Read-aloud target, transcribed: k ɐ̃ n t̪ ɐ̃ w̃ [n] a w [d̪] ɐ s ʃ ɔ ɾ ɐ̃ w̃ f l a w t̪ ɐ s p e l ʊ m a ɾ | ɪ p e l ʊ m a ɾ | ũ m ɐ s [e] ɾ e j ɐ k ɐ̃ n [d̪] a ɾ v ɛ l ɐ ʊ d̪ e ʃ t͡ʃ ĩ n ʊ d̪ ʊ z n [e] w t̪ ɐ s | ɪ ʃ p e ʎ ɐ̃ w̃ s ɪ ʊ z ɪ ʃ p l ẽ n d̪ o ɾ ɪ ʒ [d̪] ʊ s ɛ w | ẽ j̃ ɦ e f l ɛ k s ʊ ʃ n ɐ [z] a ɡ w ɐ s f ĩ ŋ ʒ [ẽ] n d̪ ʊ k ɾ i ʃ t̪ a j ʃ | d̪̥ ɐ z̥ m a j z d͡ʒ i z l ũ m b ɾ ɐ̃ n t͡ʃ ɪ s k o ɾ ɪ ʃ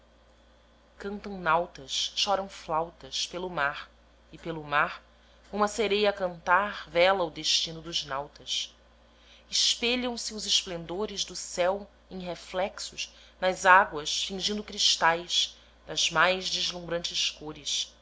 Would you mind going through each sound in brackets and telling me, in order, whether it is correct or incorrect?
correct, incorrect, correct, incorrect, incorrect, correct, correct, incorrect

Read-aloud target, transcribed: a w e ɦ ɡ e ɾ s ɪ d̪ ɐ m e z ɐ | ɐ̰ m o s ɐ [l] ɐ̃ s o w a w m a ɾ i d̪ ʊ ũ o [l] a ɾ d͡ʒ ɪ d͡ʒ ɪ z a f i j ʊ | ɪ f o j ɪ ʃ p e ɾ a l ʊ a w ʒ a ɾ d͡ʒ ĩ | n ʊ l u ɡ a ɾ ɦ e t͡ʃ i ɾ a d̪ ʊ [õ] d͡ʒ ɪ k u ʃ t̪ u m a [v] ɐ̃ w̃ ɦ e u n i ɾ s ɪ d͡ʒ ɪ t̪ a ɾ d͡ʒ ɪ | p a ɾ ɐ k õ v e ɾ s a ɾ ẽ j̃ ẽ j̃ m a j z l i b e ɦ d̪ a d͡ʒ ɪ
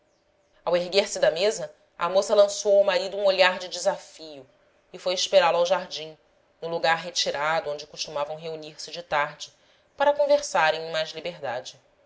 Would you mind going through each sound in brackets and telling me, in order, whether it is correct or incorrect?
correct, incorrect, correct, correct

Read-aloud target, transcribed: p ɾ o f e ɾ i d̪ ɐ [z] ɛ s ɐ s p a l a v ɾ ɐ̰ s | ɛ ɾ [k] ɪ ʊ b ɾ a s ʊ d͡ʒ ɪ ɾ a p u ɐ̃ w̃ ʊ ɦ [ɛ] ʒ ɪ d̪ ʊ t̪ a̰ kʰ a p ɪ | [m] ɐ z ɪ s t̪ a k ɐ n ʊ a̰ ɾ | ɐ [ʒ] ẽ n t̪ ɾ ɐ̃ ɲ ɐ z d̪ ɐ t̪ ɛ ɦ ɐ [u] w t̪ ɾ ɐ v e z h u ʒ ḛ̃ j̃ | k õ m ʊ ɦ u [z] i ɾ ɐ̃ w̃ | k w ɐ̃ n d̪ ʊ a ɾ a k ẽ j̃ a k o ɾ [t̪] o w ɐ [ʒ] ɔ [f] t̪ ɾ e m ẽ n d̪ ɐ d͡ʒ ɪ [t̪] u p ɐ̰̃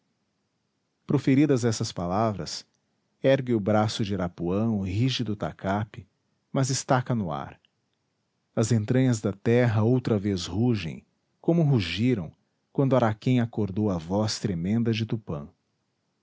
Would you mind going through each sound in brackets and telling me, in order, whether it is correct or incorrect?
correct, incorrect, incorrect, correct, incorrect, incorrect, incorrect, incorrect, incorrect, incorrect, correct

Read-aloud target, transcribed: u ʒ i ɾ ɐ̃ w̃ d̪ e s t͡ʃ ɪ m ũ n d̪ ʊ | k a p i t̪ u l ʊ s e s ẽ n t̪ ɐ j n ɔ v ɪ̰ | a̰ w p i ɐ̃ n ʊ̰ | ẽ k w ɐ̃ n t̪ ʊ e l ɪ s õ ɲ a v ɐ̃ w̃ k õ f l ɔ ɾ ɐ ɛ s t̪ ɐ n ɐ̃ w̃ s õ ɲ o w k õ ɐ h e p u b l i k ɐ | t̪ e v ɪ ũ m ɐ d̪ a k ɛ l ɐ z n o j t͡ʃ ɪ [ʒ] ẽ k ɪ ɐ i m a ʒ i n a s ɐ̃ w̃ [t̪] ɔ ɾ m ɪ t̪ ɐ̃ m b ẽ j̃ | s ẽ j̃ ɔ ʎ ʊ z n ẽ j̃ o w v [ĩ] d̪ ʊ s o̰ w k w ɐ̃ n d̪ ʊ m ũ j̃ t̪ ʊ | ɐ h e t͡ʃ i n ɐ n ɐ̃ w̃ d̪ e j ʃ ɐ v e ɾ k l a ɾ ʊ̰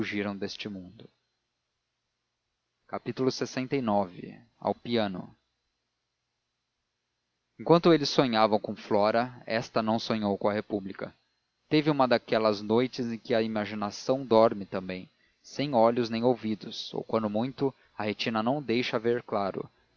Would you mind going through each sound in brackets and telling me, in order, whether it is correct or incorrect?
incorrect, incorrect, incorrect

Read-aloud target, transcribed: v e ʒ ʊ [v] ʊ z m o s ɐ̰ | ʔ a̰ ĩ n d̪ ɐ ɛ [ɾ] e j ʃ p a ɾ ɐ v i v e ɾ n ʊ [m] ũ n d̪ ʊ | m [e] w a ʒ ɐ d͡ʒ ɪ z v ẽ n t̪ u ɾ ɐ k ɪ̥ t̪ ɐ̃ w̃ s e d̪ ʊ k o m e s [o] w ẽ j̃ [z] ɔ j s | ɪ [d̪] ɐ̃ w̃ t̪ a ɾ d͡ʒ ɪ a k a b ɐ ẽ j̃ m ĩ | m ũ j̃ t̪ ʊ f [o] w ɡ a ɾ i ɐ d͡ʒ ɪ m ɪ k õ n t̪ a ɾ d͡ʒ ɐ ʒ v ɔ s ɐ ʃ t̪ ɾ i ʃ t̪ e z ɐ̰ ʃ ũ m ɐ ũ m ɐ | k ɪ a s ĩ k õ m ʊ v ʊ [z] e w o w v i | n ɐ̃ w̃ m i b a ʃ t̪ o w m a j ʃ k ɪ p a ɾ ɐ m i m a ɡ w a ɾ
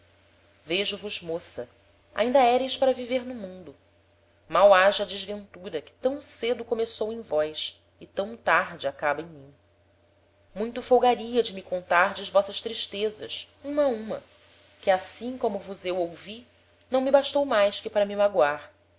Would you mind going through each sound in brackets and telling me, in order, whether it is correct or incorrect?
correct, correct, correct, incorrect, correct, incorrect, incorrect, correct, correct

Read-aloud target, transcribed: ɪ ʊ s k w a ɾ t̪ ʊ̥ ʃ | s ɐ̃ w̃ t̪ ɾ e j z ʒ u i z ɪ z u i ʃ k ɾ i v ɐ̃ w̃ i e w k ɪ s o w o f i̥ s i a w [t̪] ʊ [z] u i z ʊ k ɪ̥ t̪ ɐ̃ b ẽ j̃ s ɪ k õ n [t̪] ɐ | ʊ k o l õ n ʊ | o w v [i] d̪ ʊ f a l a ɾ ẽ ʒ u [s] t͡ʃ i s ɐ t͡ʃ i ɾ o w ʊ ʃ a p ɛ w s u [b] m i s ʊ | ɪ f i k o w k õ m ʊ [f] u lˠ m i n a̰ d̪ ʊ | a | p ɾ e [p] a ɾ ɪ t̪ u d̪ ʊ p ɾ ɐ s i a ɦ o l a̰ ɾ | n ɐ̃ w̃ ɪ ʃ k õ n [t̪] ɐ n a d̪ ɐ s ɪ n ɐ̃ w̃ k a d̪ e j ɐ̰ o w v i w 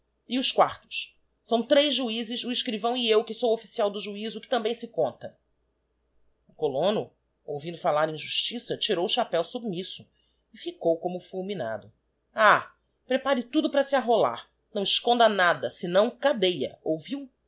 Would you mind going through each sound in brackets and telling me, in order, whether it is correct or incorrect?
incorrect, incorrect, correct, incorrect, incorrect, correct, correct, correct, incorrect

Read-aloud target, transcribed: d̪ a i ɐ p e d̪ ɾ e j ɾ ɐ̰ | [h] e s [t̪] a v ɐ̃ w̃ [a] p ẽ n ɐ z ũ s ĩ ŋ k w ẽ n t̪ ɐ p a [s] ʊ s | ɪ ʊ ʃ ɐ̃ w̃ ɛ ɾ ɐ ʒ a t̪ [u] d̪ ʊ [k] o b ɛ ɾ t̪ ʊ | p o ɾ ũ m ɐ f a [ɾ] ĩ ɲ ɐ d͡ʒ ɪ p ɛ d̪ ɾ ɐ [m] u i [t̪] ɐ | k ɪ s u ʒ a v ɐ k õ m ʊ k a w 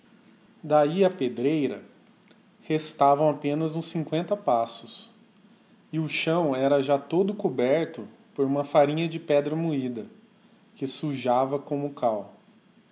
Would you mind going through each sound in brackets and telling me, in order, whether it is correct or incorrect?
correct, correct, correct, correct, incorrect, correct, correct, correct, incorrect

